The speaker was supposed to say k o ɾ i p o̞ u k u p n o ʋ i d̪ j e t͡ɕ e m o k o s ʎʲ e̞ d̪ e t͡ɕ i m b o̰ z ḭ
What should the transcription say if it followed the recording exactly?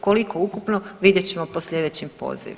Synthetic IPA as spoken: k o l i k o̞ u k u p n o ʋ i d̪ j e t͡ɕ e m o p o s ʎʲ e̞ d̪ e t͡ɕ i m p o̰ z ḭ